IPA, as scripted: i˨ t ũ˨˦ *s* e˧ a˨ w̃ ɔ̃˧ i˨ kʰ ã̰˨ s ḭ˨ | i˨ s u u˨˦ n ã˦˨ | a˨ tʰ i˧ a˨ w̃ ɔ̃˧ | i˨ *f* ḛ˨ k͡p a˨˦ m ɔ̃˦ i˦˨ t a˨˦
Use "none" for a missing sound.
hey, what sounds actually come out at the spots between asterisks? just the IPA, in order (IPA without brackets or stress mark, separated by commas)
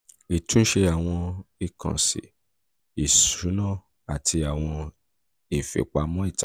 ʃ, f